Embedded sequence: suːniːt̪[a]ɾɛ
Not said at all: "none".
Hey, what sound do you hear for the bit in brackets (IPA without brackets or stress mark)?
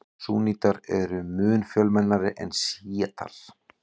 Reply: a